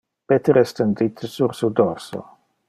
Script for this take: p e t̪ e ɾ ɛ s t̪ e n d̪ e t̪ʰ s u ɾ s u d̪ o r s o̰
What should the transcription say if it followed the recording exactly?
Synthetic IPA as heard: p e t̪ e ɾ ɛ s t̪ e n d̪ i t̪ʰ s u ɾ s u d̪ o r s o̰